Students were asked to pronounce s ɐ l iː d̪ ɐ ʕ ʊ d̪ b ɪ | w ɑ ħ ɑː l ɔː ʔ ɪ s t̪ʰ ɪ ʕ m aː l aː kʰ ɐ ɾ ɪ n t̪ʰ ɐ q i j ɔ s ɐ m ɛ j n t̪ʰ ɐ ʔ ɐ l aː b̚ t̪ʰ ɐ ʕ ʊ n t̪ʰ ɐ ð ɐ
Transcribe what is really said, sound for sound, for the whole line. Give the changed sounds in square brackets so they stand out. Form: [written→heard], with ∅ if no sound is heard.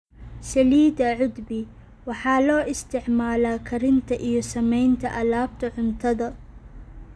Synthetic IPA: s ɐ l iː d̪ ɐ ʕ ʊ d̪ b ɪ | w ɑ ħ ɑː l ɔː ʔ ɪ s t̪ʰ ɪ ʕ m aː l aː kʰ ɐ ɾ ɪ n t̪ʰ ɐ [q→ʔ] i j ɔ s ɐ m ɛ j n t̪ʰ ɐ ʔ ɐ l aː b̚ t̪ʰ ɐ ʕ ʊ n t̪ʰ ɐ ð ɐ